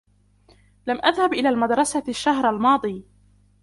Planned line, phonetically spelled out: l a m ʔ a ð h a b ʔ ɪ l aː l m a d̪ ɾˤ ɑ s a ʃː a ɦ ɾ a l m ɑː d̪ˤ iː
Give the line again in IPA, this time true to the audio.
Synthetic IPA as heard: l a m ʔ a ð h a b ʔ ɪ l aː l m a d̪ ɾˤ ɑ s a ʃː a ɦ ɾ a l m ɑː d̪ˤ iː

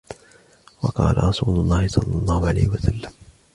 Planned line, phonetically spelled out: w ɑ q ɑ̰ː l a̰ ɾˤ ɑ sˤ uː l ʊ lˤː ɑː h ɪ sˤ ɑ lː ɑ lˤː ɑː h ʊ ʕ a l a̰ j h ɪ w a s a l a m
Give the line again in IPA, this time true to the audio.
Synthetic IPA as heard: w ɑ q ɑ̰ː l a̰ ɾˤ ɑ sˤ uː l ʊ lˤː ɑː h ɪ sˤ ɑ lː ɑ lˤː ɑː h ʊ ʕ a l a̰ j h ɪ w a s a lː a m

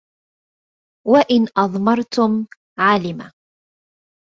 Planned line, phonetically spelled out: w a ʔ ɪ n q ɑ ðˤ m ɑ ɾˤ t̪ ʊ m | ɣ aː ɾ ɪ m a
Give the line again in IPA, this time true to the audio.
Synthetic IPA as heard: w a ʔ ɪ n ʔ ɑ ðˤ m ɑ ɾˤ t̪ ʊ m | ʕ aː l ɪ m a

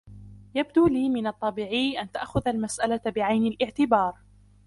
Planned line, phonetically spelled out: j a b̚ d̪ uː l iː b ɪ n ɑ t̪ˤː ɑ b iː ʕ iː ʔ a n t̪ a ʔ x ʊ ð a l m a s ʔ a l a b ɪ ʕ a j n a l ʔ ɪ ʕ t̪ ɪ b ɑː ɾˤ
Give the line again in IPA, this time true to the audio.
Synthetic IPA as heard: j a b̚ d̪ uː l iː m ɪ n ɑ t̪ˤː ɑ b iː ʕ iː ʔ a n t̪ a ʔ x ʊ ð a l m a s ʔ a l a b ɪ ʕ a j n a l ʔ ɪ ʕ t̪ ɪ b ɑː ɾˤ

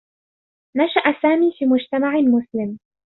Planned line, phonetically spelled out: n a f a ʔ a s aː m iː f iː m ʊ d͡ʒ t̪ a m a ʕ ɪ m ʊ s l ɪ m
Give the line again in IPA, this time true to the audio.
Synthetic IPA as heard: n a ʃ a ʔ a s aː m iː f iː m ʊ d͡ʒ t̪ a m a ʕ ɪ m ʊ s l ɪ m

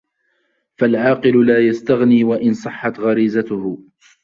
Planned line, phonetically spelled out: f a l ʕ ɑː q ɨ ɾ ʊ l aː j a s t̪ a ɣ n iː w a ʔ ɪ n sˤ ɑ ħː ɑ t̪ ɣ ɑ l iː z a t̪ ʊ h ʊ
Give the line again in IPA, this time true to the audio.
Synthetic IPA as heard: f a l ʕ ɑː q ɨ l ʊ l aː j a s t̪ a ɣ n iː w a ʔ ɪ n sˤ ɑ ħː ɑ t̪ ɣ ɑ ɾ iː z a t̪ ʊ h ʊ

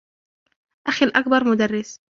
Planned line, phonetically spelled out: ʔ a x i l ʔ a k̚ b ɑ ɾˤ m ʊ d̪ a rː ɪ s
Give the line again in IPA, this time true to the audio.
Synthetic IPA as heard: ʔ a x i l ʔ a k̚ b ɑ ɾˤ m ʊ d̪ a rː ɪ s

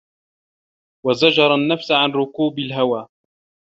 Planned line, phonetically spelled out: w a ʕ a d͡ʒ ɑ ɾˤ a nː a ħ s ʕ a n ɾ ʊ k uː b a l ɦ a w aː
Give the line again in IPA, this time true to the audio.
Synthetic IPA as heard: w a z a d͡ʒ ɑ ɾˤ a nː a f s ʕ a n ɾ ʊ k uː b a l ɦ a w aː

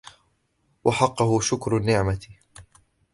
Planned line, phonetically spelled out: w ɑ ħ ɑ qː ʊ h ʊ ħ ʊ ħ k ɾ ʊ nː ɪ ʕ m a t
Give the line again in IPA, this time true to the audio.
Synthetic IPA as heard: w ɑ ħ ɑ qː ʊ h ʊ ʃ ʊ k ɾ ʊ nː ɪ ʕ m a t

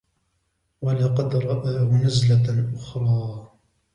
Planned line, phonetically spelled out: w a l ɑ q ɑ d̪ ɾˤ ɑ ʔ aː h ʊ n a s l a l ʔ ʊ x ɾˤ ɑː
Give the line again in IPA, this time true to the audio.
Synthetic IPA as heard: w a l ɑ q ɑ d̪ ɾˤ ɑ ʔ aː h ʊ n a z l a l ʔ ʊ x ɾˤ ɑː

